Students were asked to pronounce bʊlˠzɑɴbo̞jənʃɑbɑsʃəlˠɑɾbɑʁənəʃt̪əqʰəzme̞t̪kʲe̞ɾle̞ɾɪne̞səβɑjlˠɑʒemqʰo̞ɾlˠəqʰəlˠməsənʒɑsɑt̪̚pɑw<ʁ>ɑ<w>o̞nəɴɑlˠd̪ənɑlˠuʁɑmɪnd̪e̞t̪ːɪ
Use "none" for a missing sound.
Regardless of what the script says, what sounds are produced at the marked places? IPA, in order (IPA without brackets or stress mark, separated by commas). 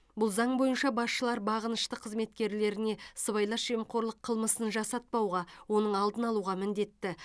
ʁ, w